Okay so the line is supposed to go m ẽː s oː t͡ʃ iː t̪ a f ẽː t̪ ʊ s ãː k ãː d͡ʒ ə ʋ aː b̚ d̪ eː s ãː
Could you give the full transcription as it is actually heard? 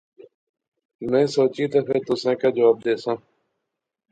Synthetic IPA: m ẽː s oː t͡ʃ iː t̪ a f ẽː t̪ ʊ s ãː k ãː d͡ʒ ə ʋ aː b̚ d̪ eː s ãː